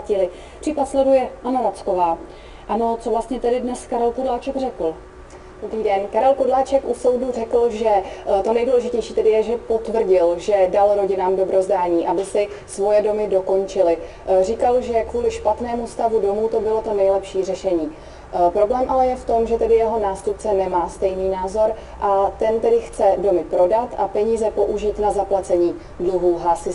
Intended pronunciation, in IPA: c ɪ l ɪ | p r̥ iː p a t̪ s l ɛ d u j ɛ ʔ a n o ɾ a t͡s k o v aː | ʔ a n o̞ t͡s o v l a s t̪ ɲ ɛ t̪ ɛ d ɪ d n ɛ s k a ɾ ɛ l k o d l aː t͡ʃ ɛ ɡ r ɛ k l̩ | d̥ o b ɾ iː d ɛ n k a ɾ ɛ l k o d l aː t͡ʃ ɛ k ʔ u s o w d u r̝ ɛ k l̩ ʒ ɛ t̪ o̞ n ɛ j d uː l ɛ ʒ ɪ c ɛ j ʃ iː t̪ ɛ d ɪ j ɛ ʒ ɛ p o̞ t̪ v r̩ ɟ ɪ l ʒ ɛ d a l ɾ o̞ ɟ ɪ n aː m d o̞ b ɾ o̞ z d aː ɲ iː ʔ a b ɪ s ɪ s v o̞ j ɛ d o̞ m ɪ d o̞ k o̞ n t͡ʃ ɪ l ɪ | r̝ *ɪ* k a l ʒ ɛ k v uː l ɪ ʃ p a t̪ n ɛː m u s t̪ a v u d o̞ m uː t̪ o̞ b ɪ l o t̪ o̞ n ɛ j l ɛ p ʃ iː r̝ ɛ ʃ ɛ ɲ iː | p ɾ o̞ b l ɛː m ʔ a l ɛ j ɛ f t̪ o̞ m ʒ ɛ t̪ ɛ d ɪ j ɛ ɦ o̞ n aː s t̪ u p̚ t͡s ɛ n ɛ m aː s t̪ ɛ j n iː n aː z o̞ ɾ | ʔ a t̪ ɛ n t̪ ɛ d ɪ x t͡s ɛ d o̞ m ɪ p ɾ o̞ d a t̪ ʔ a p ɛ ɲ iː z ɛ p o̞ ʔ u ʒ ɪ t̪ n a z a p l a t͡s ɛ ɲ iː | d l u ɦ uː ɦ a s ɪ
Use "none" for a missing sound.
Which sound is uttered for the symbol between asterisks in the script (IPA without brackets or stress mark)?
i